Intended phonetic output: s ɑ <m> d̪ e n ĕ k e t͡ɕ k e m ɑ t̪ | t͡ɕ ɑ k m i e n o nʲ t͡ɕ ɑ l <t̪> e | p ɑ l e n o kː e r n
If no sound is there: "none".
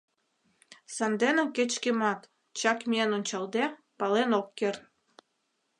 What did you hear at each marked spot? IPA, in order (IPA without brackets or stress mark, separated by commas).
n, d̪